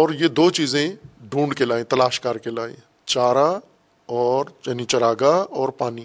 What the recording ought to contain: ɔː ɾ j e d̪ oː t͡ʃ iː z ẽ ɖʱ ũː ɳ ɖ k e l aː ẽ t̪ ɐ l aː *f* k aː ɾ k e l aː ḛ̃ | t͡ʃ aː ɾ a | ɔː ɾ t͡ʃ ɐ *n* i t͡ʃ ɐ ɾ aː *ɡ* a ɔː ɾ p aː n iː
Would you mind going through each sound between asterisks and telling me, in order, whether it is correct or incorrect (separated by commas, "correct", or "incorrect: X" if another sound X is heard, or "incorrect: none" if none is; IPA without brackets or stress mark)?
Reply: incorrect: ʃ, correct, correct